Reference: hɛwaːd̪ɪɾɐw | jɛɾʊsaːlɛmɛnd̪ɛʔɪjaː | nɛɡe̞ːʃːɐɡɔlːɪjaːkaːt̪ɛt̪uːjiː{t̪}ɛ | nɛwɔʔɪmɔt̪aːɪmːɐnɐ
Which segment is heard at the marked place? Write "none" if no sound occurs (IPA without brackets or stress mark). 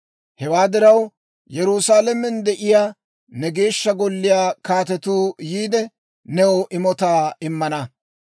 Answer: d̪